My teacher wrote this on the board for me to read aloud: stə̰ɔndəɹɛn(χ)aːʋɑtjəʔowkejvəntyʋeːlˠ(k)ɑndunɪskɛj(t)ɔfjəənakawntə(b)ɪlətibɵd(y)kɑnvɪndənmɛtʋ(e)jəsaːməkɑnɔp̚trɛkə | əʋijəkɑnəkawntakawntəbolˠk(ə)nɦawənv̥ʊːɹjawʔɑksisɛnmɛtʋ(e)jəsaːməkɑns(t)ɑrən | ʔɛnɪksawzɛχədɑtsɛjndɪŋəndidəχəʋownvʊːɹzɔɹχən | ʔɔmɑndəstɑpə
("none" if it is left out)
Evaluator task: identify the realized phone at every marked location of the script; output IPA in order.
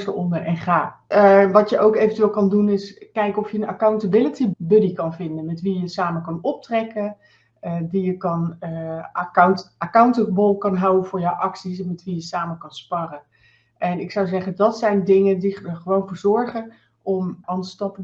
χ, k, k, b, i, i, ɑ, i, p

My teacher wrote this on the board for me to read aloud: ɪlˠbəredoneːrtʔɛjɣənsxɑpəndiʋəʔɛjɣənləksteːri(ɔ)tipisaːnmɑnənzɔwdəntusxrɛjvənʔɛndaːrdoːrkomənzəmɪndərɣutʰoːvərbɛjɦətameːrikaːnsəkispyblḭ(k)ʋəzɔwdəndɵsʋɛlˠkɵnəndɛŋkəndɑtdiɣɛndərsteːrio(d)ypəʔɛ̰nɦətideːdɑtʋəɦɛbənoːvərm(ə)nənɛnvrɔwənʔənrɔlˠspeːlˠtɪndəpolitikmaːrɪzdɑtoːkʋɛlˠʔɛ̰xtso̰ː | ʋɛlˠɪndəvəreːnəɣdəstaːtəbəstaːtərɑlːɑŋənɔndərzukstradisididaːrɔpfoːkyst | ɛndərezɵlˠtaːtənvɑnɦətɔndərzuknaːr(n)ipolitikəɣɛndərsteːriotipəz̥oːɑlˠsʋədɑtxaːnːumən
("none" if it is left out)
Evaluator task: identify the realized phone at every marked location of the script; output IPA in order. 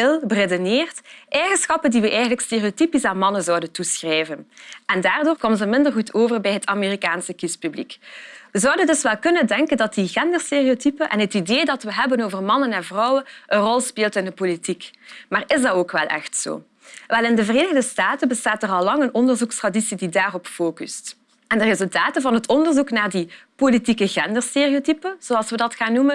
o, k, t, ɑ, d

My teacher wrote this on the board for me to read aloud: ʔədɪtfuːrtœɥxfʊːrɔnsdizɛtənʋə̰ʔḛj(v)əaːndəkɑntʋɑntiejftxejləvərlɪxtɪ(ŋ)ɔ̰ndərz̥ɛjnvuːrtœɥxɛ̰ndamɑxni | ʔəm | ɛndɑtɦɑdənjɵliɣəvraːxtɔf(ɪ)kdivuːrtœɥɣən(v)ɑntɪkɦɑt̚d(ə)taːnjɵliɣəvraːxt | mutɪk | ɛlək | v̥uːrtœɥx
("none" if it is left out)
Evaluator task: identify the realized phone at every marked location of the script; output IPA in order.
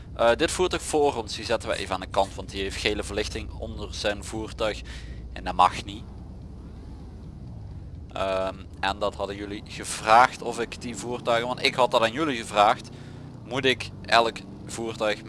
v, ŋ, ɪ, ʋ, ɑ

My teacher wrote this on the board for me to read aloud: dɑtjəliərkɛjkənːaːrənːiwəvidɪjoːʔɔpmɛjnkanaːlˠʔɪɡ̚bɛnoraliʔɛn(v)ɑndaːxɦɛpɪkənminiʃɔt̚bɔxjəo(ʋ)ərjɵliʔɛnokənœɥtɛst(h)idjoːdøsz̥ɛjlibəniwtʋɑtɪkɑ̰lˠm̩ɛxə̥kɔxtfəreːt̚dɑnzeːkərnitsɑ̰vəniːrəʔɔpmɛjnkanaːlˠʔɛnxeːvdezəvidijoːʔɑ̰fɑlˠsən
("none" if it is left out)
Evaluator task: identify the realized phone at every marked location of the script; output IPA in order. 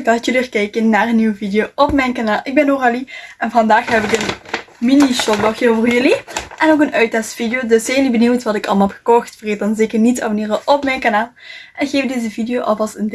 v, v, f

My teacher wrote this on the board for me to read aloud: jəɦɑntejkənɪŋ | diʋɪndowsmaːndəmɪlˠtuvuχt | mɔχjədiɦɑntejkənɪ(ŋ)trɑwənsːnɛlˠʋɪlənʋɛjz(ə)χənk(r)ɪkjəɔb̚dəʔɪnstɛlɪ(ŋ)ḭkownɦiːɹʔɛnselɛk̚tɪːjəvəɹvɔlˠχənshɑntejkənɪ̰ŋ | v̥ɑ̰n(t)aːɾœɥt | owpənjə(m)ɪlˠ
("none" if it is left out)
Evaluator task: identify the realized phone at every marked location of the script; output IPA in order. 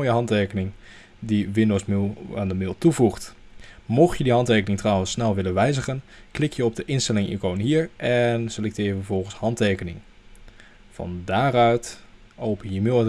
ŋ, ə, l, ŋ, d, m

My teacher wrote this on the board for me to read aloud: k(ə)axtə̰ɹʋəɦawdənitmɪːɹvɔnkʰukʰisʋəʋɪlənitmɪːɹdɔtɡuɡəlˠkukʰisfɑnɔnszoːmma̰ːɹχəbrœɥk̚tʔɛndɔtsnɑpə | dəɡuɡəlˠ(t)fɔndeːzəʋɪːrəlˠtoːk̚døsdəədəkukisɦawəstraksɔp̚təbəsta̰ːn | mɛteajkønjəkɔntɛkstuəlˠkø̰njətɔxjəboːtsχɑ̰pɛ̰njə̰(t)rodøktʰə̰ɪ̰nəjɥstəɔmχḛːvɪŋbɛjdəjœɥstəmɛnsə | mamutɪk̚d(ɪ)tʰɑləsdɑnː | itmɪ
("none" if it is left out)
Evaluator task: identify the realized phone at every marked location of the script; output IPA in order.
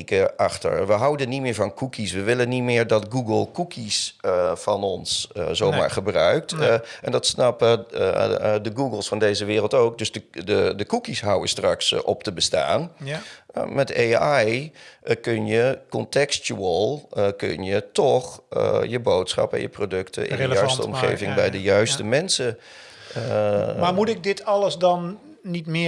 ə, s, p, ɪ

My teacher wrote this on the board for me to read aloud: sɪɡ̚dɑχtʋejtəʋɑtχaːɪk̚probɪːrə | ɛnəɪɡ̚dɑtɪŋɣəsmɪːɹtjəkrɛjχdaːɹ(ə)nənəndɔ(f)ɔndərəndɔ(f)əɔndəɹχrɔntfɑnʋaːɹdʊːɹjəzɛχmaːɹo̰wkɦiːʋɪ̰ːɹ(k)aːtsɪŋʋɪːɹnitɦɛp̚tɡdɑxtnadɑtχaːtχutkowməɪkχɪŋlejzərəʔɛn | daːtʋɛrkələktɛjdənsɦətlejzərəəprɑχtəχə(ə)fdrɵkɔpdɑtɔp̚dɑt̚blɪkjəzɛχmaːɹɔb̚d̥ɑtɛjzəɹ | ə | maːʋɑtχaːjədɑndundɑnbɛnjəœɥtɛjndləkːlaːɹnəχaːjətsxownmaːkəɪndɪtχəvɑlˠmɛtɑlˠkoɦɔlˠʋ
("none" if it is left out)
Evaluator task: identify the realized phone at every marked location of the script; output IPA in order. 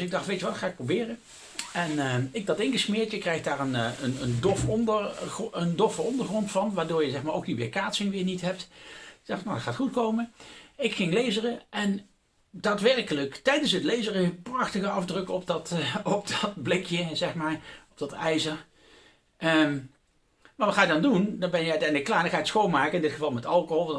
ə, f, f, k, ɑ

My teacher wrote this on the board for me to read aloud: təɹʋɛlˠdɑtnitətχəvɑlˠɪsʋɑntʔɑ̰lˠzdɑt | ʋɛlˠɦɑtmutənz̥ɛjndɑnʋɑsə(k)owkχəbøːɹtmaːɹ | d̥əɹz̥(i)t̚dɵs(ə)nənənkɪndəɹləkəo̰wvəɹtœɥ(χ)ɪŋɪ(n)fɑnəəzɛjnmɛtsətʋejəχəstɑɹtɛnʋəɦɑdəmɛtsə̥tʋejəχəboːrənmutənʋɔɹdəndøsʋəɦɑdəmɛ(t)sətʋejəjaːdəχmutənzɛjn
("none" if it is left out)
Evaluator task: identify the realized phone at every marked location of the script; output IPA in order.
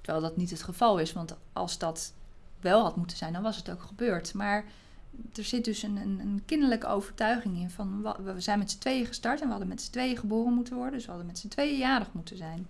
t, ɪ, ə, χ, n, t

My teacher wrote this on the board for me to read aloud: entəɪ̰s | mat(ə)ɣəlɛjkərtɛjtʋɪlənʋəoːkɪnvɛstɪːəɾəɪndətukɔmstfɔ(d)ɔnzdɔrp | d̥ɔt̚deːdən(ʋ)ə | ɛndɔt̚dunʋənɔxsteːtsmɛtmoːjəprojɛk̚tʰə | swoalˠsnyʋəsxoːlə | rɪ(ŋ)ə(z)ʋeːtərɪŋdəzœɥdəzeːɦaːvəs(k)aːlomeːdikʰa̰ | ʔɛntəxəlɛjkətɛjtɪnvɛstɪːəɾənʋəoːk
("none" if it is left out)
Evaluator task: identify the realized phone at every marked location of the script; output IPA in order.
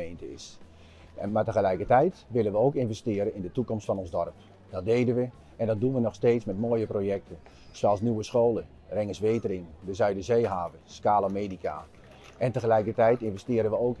ə, n, ʋ, ŋ, s, k

